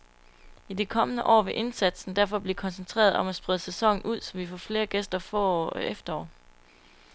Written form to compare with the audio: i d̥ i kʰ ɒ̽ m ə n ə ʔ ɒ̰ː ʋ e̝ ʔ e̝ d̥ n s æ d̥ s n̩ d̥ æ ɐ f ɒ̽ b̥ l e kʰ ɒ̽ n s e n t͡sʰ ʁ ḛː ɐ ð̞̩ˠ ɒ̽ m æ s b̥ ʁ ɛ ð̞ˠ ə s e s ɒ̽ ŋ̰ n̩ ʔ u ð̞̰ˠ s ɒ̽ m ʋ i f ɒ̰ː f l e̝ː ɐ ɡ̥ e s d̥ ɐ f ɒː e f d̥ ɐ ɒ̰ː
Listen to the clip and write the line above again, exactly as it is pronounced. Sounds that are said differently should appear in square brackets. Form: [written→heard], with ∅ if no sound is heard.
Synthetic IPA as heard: i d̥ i kʰ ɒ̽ m ə n ə ʔ ɒ̰ː ʋ e̝ ʔ e̝ [d̥→∅] n s æ d̥ s n̩ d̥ æ ɐ f ɒ̽ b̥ l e kʰ ɒ̽ n s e n t͡sʰ ʁ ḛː ɐ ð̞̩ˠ ɒ̽ m æ s b̥ ʁ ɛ ð̞ˠ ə s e s ɒ̽ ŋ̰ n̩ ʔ u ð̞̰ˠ s ɒ̽ m ʋ i f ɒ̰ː f l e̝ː ɐ ɡ̥ e s d̥ ɐ f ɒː e f d̥ ɐ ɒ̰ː